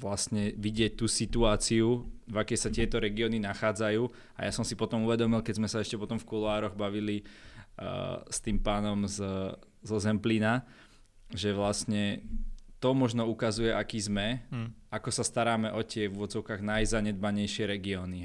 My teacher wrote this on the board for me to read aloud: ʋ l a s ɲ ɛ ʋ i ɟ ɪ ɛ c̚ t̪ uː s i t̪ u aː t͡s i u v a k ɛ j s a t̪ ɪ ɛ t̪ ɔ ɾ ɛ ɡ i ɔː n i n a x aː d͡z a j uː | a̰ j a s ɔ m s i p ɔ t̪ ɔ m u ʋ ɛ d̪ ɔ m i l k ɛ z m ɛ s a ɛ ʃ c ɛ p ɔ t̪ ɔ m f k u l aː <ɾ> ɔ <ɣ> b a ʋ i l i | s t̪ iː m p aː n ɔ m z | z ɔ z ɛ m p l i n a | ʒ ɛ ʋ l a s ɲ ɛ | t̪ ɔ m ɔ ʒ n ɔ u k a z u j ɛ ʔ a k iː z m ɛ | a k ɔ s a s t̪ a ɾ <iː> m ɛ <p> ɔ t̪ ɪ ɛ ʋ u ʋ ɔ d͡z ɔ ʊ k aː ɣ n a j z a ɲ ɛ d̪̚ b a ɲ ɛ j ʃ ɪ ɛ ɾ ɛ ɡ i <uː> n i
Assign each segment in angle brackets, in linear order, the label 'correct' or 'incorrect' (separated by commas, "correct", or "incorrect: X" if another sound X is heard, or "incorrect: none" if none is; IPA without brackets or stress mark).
correct, correct, incorrect: aː, incorrect: ʔ, incorrect: ɔː